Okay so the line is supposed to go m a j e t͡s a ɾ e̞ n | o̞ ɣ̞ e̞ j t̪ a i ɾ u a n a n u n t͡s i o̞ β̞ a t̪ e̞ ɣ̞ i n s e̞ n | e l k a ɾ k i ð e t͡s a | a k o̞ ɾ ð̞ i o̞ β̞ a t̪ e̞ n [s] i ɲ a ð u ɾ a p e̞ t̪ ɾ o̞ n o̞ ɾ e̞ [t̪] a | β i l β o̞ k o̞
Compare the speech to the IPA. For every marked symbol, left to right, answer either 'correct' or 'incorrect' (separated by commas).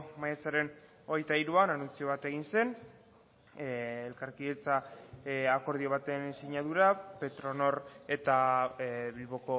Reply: correct, correct